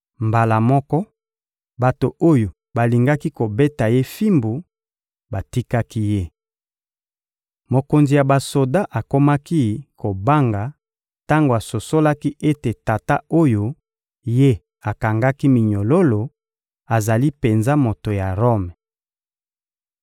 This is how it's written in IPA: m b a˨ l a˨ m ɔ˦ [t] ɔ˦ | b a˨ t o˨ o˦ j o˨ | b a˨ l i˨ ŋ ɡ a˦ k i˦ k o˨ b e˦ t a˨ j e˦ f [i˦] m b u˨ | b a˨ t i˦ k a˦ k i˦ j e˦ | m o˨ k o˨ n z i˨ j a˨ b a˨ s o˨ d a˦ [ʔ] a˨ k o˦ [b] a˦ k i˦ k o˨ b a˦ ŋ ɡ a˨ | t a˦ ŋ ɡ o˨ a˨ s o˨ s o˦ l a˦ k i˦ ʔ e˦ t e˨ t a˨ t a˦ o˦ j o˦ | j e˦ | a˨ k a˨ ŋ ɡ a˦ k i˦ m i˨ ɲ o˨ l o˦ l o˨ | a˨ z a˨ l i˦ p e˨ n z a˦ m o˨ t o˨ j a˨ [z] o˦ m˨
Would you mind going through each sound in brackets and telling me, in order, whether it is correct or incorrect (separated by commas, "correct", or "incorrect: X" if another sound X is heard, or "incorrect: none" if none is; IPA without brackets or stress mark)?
incorrect: k, correct, correct, incorrect: m, incorrect: ʁ